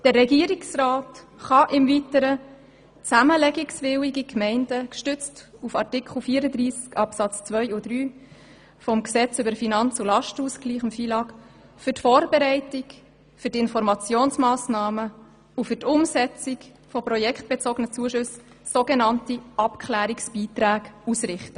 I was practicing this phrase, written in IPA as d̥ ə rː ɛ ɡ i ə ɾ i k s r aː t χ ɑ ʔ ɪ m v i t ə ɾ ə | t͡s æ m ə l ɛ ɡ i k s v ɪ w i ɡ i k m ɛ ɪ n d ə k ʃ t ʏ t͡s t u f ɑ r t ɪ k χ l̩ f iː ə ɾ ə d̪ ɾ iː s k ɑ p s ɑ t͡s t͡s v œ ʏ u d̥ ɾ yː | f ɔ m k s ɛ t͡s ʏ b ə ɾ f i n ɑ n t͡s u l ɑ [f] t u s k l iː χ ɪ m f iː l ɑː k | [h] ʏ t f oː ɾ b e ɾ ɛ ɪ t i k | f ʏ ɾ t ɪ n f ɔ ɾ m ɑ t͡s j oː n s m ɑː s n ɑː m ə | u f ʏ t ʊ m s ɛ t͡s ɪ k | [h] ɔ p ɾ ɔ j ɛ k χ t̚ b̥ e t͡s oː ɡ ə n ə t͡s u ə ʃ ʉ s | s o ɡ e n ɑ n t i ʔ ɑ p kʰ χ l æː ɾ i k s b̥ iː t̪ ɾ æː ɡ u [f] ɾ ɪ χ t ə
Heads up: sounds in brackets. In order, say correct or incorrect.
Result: incorrect: ʃ, incorrect: f, incorrect: f, incorrect: s

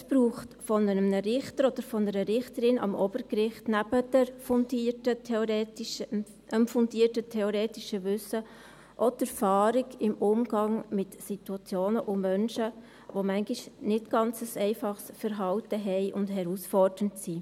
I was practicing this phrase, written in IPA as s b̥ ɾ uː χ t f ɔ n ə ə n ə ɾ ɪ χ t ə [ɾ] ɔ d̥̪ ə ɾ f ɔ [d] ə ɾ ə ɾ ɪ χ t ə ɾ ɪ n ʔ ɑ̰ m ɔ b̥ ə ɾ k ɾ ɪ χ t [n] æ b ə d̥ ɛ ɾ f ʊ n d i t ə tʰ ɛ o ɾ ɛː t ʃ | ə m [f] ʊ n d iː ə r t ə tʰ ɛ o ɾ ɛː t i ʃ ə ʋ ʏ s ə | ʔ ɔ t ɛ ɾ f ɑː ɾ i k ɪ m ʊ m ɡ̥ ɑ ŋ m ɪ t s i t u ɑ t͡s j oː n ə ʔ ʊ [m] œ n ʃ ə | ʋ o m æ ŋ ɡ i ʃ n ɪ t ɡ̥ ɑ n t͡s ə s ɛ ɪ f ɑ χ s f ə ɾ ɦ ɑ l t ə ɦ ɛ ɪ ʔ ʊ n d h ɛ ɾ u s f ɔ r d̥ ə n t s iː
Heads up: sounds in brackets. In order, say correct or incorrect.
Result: correct, incorrect: n, correct, correct, correct

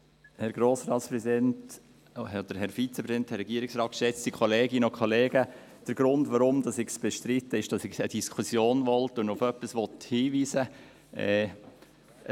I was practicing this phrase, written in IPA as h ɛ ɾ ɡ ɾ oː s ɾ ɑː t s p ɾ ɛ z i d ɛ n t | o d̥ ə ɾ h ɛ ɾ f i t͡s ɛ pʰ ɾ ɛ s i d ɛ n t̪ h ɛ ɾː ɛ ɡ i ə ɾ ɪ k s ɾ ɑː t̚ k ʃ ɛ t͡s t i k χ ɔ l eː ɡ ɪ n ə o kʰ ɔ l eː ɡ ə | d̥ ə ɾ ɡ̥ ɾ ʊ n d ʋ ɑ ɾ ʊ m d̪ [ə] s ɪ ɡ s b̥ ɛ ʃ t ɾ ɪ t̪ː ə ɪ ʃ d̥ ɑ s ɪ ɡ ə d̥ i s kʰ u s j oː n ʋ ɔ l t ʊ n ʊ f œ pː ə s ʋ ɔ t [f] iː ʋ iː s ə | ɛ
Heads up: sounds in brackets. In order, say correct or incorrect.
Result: incorrect: ɑ, incorrect: h

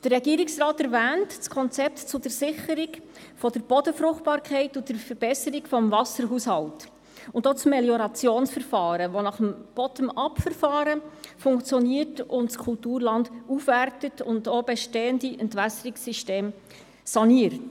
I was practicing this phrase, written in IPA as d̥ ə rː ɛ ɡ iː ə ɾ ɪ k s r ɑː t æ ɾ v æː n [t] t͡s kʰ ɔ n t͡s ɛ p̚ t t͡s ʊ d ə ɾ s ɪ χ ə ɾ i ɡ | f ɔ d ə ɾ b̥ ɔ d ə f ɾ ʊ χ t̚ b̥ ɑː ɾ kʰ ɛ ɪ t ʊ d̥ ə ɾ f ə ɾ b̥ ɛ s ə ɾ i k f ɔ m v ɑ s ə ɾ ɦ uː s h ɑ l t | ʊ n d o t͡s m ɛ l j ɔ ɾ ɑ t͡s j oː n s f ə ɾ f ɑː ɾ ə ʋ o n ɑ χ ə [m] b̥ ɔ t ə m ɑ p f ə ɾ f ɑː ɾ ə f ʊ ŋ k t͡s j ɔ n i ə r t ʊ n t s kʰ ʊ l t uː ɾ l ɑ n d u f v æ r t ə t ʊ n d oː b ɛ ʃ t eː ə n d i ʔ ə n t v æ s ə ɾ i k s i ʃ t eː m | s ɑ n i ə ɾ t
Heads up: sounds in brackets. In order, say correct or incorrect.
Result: correct, correct

